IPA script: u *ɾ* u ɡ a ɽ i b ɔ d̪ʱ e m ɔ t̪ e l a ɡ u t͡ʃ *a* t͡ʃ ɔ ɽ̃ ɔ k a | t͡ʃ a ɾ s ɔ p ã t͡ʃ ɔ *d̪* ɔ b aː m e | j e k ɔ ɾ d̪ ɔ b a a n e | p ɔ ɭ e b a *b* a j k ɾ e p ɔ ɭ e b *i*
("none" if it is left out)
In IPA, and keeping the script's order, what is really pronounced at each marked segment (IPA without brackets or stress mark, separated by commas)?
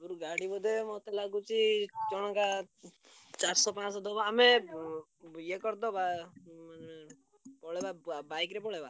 ɾ, i, d̪, b, a